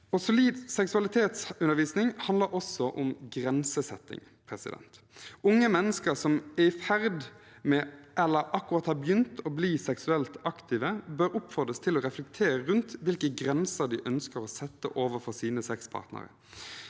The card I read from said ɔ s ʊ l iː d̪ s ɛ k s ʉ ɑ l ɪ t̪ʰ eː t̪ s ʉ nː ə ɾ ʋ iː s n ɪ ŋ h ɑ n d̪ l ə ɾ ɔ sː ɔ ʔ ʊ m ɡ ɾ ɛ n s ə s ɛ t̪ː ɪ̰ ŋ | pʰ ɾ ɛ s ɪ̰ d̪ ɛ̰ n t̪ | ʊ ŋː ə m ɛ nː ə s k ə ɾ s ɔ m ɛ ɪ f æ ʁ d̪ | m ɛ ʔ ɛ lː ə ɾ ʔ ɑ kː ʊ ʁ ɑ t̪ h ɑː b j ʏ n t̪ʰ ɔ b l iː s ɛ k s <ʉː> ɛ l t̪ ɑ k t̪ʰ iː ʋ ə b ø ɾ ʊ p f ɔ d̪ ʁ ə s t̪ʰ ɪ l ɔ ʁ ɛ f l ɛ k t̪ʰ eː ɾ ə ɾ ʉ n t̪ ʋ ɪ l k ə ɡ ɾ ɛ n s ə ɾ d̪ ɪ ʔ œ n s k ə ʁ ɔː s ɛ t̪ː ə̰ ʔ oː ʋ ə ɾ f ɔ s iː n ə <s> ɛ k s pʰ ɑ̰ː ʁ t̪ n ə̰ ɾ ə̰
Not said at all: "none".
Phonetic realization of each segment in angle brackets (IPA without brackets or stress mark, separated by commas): ʉ, s